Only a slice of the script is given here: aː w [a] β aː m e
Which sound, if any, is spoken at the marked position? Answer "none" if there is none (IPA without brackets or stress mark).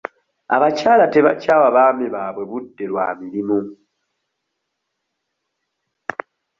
a